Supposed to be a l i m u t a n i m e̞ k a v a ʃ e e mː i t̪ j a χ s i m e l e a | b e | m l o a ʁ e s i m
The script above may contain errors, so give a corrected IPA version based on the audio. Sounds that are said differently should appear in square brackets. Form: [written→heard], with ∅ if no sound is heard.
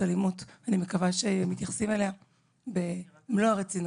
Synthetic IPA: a l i m u t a n i m e̞ k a v a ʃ e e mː i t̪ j a χ s i m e l e a | b e | m l o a ʁ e [s→t͡s] i [m→n]